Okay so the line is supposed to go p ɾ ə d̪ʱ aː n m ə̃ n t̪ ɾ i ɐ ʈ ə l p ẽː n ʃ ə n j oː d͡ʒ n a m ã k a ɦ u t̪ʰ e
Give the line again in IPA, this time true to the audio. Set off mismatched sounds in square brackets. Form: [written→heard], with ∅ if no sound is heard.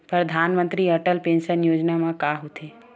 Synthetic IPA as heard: p ɾ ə d̪ʱ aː n m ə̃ n t̪ ɾ i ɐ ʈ ə l p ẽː n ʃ ə n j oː d͡ʒ n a m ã k a ɦ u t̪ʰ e